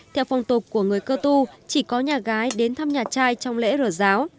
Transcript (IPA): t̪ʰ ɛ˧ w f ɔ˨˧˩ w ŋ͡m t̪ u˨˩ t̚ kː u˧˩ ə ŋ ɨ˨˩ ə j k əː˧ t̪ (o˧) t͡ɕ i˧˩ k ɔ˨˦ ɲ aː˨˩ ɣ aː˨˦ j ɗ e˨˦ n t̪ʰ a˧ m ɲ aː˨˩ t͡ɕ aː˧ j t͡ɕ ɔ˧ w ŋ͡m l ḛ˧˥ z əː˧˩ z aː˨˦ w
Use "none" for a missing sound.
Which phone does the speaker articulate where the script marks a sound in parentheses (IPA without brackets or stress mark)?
u˧